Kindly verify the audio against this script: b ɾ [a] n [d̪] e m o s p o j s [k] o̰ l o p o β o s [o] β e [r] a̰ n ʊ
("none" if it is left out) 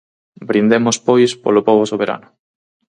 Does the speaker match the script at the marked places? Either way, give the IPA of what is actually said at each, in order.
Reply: i, d̪, p, o, ɾ

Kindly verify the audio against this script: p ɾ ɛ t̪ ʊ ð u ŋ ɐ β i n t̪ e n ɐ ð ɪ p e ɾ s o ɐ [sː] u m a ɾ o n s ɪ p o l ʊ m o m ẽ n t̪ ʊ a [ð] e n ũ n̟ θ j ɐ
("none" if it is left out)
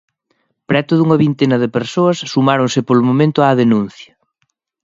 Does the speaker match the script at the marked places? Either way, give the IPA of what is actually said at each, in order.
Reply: sː, ð

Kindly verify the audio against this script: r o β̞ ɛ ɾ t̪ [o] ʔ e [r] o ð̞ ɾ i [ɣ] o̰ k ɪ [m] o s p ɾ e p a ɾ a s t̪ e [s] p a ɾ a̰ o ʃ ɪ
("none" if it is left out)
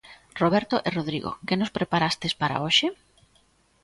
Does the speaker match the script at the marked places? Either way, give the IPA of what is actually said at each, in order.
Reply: o, r, ɣ, n, s

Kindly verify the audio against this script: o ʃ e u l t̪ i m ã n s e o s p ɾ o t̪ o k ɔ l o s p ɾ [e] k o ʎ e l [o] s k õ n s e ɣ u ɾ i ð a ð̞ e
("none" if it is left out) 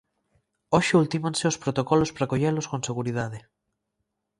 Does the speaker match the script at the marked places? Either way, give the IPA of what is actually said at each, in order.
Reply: a, o

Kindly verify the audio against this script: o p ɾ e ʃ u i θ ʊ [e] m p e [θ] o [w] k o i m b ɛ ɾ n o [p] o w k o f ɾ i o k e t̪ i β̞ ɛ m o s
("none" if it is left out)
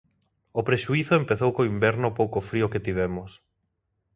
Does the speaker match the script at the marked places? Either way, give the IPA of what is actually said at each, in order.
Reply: e, θ, w, p

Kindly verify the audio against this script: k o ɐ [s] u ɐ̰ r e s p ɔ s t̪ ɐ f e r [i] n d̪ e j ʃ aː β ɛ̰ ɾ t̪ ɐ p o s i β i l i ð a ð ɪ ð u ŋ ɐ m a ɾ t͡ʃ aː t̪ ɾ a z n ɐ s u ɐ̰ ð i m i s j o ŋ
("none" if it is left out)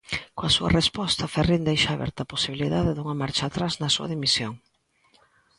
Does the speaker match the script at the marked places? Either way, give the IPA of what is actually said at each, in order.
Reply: s, i

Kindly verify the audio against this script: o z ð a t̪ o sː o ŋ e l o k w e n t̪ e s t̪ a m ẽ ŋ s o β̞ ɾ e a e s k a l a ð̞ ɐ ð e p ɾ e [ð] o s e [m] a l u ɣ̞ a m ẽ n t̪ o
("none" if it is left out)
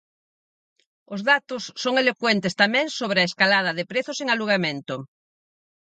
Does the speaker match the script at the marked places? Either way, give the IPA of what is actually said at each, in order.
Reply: θ, ŋ

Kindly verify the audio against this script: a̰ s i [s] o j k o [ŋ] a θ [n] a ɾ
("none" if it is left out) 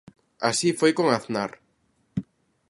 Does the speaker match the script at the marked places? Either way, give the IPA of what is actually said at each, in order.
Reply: f, ŋ, n

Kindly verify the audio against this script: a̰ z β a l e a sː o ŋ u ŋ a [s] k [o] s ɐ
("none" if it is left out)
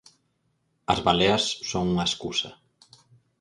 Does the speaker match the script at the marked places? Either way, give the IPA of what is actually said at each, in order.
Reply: s, u

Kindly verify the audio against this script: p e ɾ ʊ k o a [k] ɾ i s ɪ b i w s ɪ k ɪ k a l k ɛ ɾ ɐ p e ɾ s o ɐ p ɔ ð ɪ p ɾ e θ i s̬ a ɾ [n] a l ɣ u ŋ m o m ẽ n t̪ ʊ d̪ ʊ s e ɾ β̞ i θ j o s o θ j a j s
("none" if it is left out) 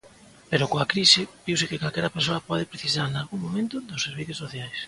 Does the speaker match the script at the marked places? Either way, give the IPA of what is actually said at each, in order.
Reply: k, n

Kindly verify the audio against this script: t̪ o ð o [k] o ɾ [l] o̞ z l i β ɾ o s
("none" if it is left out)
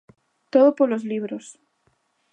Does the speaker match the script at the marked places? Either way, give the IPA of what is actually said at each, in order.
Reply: p, l

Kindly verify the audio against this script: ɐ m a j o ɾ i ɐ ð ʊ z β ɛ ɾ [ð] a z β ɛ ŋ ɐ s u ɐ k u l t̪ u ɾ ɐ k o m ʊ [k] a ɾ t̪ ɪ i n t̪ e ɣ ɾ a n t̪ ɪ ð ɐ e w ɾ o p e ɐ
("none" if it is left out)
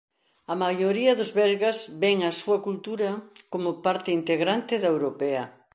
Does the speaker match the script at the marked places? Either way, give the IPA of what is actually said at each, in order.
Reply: ɣ, p

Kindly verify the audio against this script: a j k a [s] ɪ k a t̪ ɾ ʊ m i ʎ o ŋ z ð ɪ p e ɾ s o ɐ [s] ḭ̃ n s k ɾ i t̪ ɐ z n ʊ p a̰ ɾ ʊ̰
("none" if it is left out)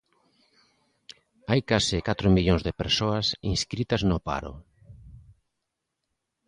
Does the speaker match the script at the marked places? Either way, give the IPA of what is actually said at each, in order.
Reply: s, s

